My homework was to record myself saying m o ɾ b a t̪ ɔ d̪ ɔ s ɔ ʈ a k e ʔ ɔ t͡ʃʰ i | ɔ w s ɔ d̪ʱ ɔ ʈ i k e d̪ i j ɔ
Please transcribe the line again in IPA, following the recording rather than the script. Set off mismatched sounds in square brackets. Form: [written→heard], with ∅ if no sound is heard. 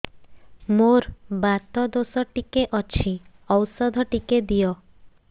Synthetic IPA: m o ɾ b a t̪ ɔ d̪ [ɔ→o] s ɔ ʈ [a→i] k e ʔ ɔ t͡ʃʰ i | ɔ w s ɔ d̪ʱ ɔ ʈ i k e d̪ i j ɔ